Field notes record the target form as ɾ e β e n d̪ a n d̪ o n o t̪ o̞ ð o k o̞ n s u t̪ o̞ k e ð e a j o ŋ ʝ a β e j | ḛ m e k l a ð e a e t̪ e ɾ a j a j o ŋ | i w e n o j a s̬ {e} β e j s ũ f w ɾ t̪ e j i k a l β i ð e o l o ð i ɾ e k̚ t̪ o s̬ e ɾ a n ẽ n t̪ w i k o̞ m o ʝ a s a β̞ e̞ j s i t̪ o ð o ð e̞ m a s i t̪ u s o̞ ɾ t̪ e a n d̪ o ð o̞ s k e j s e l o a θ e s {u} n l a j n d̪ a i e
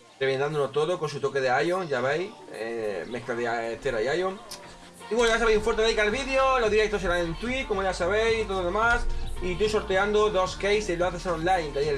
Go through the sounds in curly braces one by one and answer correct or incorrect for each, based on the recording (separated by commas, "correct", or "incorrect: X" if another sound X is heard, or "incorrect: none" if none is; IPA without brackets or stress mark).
incorrect: a, incorrect: o